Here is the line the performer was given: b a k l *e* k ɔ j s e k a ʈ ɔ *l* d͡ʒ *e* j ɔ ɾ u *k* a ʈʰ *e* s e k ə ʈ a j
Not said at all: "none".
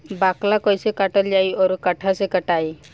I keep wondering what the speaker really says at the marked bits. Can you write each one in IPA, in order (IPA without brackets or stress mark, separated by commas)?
a, l, a, k, a